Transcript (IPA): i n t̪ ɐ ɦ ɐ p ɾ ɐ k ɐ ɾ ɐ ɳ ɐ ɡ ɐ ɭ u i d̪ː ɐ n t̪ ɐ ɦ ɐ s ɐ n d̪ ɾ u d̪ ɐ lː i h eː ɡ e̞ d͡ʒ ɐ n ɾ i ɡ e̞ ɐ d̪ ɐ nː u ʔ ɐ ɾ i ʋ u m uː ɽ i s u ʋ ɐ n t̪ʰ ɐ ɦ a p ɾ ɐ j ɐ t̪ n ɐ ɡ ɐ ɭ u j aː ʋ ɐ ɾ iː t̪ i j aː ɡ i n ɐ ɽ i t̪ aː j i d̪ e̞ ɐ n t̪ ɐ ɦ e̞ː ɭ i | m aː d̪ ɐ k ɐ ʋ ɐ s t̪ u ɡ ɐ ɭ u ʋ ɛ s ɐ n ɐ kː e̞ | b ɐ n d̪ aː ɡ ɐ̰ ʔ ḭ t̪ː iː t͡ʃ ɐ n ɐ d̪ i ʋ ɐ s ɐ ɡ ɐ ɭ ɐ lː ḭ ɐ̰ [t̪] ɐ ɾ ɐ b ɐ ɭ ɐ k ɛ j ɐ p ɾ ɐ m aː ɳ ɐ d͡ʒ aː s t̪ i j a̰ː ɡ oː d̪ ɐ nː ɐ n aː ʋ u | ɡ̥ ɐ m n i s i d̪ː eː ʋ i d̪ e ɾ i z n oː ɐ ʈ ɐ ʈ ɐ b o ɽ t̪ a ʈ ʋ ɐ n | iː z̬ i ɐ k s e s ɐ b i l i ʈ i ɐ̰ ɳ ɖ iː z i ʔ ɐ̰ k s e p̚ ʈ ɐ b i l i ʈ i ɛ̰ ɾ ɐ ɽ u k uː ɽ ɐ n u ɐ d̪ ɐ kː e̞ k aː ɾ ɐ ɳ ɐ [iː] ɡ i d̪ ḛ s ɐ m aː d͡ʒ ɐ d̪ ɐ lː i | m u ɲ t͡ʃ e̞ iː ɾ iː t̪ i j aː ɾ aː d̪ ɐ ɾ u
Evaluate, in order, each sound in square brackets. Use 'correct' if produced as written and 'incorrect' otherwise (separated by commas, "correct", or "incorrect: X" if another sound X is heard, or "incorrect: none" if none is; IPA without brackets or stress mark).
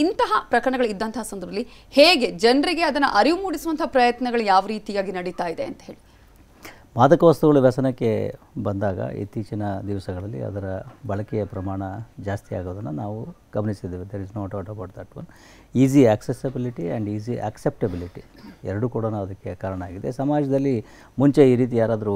incorrect: d̪, incorrect: aː